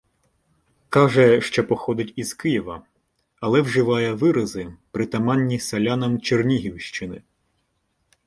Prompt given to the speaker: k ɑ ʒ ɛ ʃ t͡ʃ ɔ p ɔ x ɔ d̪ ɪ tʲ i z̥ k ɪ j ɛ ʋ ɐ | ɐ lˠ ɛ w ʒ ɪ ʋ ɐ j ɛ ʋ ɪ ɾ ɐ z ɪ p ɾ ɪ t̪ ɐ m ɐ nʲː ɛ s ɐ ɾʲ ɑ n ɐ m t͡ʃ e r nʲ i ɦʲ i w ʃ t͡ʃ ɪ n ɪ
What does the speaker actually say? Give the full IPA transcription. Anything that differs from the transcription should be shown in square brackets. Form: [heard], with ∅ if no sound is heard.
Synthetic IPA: k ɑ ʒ ɛ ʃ t͡ʃ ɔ p ɔ x ɔ d̪ ɪ tʲ i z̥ k ɪ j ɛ ʋ ɐ | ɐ lˠ ɛ w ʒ ɪ ʋ [ɑ] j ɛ ʋ ɪ ɾ ɐ z ɪ p ɾ ɪ t̪ ɐ m [ɑ] nʲː [i] s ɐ [lʲ] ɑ n ɐ m t͡ʃ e r nʲ i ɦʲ i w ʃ t͡ʃ ɪ n ɪ